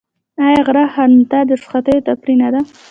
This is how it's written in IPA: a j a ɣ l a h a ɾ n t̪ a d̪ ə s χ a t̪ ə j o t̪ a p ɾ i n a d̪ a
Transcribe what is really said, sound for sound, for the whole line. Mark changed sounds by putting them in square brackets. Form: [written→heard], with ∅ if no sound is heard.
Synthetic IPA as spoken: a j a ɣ [l→ɾ] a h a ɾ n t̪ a d̪ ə s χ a t̪ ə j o t̪ a p ɾ i n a d̪ a